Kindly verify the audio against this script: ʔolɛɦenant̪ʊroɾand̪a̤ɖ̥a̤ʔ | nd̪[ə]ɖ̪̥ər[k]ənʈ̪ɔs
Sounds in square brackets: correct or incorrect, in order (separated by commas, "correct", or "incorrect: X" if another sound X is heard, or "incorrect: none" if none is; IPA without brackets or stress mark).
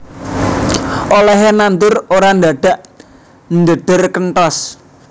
correct, correct